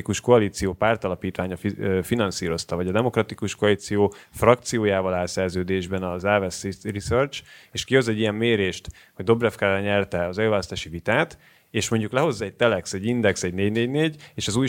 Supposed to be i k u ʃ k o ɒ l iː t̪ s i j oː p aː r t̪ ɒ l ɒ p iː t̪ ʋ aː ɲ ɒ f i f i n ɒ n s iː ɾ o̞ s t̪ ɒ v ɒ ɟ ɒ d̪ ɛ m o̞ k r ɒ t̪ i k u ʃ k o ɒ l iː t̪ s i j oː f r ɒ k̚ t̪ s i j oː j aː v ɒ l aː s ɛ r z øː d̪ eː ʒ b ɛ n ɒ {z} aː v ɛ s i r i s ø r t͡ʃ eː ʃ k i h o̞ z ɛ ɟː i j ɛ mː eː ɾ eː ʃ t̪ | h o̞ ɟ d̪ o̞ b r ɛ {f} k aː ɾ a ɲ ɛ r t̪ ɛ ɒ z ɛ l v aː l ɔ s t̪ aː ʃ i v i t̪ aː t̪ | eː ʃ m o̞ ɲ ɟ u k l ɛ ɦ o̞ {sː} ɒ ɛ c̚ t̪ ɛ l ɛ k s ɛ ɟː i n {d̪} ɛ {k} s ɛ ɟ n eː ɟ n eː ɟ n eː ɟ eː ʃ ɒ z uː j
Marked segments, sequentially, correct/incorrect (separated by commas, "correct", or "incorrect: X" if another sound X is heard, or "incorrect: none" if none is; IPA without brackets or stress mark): correct, correct, incorrect: zː, correct, correct